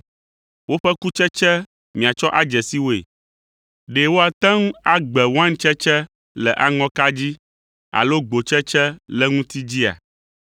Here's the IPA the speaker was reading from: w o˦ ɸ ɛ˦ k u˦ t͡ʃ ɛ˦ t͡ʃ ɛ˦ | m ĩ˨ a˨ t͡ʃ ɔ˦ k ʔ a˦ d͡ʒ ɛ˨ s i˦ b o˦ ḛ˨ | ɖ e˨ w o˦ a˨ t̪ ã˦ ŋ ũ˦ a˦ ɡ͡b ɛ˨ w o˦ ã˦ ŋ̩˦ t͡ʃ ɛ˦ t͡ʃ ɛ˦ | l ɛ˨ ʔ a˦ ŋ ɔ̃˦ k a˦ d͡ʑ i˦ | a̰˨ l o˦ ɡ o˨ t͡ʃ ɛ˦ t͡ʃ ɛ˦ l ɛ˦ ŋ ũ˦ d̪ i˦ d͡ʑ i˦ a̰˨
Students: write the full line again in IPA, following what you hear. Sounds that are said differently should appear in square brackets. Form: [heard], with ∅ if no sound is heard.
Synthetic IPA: w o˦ ɸ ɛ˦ k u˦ t͡ʃ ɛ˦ t͡ʃ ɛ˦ | m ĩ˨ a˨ t͡ʃ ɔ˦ [∅] ʔ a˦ d͡ʒ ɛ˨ s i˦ [w] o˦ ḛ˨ | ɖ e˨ w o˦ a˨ t̪ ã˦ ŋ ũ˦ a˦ ɡ͡b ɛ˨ w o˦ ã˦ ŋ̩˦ t͡ʃ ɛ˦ t͡ʃ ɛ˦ | l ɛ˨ ʔ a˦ ŋ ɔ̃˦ k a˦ d͡ʑ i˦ | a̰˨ l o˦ [ɡ͡b] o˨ t͡ʃ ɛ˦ t͡ʃ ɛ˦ l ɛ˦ ŋ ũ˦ [t̪] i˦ d͡ʑ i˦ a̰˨